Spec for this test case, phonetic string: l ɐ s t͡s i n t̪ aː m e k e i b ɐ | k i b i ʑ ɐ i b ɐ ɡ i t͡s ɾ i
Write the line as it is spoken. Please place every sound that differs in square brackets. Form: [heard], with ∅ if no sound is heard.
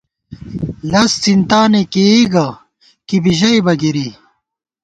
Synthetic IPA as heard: l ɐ s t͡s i n t̪ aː [n] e k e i [ɡ] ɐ | k i b i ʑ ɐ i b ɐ ɡ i [∅] ɾ i